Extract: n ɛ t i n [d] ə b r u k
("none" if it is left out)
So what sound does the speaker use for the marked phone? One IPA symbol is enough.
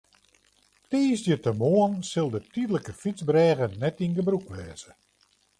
ɡ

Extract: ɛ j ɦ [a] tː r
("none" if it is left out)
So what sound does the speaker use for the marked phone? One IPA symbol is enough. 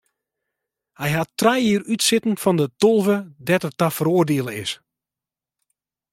a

